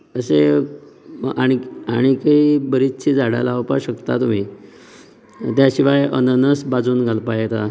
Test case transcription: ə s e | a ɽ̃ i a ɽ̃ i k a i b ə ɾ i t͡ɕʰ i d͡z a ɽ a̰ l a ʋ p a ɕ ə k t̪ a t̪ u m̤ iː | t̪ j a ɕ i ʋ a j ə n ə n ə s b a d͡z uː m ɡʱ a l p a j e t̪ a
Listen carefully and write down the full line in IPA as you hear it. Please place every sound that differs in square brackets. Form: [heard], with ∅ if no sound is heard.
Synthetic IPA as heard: ə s e | a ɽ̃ i a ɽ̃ i k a i b ə ɾ i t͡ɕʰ i d͡z a ɽ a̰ l a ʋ p a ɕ ə k t̪ a t̪ u m̤ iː | t̪ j a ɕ i ʋ a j ə n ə n ə s b a d͡z uː [n] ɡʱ a l p a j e t̪ a